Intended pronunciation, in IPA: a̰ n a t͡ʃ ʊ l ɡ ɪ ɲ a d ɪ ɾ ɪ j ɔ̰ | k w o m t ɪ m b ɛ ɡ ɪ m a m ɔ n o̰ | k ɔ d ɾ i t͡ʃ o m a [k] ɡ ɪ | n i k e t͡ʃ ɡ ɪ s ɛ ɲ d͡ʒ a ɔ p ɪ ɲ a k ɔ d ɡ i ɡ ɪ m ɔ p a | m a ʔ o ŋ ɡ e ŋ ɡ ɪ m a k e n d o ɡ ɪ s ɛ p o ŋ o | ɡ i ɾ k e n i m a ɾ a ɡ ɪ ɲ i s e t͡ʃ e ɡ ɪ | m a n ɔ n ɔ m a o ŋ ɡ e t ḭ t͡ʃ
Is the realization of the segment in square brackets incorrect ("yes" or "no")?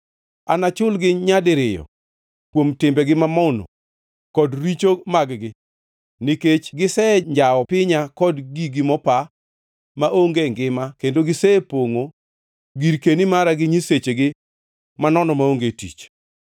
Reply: yes